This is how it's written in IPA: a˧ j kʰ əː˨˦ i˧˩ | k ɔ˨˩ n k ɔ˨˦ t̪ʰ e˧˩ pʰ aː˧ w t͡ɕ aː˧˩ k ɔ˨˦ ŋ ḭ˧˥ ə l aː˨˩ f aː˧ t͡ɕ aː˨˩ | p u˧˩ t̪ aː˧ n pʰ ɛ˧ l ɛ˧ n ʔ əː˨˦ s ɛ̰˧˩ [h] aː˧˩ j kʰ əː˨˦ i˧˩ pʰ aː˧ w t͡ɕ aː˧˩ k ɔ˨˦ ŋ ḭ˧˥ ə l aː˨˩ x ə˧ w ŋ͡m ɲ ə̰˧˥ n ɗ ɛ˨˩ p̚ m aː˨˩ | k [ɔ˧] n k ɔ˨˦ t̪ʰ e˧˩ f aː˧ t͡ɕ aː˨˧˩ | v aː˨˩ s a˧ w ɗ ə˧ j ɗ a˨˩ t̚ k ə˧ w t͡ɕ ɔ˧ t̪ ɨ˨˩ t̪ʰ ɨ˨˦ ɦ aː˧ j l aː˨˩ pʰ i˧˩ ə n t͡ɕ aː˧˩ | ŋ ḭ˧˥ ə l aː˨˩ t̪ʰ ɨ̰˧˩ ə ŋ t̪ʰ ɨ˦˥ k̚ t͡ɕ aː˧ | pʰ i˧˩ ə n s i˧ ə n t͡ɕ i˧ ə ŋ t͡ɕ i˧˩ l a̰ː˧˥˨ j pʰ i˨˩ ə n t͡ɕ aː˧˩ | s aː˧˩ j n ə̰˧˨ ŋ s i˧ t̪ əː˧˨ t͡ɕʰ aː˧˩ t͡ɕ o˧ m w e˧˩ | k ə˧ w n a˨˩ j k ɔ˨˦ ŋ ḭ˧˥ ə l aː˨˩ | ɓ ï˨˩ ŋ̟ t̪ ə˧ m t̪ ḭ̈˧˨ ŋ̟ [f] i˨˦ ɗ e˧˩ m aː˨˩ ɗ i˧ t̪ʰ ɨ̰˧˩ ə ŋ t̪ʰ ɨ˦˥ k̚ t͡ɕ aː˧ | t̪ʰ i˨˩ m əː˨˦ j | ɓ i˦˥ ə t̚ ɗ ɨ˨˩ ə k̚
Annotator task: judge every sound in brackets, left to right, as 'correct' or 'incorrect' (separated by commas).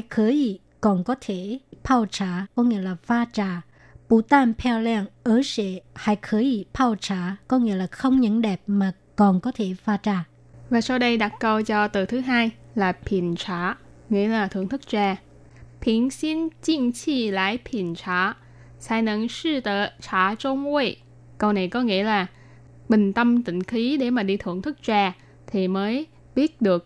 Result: correct, incorrect, incorrect